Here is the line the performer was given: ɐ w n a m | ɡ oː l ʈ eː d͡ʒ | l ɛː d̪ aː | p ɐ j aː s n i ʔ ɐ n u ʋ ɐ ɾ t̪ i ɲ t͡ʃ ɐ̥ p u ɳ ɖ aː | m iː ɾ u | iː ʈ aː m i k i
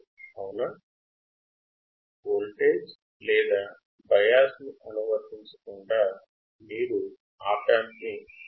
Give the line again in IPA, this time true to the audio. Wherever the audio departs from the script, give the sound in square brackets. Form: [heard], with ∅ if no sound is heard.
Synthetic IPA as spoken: ɐ w n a [∅] | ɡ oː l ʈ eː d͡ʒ | l ɛː d̪ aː | [b] ɐ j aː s n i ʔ ɐ n u ʋ ɐ ɾ t̪ i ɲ t͡ʃ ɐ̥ [k] u ɳ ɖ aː | m iː ɾ u | [aː] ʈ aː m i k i